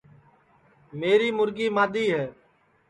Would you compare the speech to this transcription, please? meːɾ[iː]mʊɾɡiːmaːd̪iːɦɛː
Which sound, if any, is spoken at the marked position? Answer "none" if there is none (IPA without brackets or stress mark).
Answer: iː